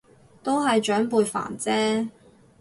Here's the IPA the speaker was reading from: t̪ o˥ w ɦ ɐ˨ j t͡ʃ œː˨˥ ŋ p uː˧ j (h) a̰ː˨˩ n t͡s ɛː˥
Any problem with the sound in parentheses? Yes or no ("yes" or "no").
yes